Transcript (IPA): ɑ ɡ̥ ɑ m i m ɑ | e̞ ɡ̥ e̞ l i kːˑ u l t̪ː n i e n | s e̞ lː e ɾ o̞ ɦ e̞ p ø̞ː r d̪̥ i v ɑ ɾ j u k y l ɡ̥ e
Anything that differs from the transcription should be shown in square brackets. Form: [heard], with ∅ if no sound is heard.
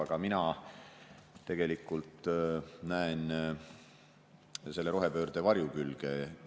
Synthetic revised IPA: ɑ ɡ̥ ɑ m i [n] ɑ | e̞ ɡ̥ e̞ l i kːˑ u l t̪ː n [æ] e n | s e̞ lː e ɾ o̞ ɦ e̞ p ø̞ː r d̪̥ [e] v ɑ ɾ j u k y l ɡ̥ e